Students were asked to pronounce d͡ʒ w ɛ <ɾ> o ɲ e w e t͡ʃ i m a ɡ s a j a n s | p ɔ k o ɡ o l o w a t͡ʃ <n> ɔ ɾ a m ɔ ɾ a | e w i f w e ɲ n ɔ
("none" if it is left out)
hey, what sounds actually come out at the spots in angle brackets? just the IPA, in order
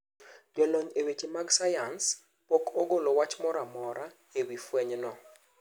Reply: l, m

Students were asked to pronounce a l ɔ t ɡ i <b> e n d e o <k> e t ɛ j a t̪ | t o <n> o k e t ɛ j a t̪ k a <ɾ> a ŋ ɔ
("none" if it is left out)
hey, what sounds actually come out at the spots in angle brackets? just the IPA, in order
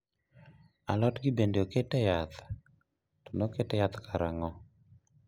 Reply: b, k, n, ɾ

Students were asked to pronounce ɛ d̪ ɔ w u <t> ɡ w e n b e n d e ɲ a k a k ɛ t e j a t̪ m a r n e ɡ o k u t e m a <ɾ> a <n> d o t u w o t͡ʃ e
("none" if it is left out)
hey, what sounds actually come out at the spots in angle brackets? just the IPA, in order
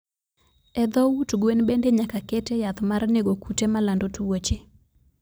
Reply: t, l, n

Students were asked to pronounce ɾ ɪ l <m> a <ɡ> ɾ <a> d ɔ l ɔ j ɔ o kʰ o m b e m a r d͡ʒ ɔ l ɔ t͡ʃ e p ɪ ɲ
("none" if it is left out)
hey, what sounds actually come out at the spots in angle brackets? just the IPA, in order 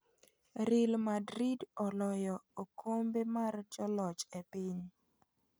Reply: m, d, i

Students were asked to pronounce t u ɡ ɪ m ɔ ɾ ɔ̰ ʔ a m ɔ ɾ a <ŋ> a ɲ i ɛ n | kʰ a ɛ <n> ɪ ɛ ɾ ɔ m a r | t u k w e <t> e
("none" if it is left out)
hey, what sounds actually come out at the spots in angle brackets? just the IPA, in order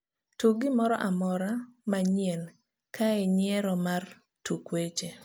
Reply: m, ɲ, t͡ʃ

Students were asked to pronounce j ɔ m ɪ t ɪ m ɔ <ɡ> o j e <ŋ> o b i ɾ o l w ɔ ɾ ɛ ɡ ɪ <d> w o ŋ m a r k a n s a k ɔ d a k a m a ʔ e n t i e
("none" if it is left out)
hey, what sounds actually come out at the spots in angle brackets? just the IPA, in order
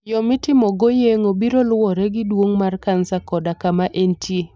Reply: ɡ, ŋ, d

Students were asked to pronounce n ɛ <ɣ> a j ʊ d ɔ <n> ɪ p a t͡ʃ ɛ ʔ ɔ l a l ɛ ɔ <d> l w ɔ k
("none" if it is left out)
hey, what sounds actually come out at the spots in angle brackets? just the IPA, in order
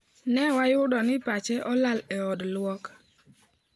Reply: w, n, d

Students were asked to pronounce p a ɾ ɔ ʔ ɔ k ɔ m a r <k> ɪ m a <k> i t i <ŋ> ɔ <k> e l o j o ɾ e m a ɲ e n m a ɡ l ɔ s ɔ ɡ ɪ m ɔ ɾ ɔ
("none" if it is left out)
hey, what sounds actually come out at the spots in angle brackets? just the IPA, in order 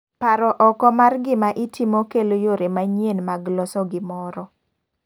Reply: ɡ, ʔ, m, k

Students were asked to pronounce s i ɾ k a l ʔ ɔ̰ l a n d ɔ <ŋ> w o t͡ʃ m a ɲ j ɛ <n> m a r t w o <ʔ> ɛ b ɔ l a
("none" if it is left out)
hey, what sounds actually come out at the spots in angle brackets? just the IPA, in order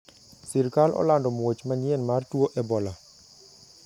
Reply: m, n, ʔ

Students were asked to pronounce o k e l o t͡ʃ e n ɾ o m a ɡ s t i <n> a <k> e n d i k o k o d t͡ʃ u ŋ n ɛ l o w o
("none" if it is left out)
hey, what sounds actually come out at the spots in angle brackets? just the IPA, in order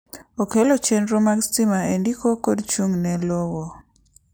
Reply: m, none

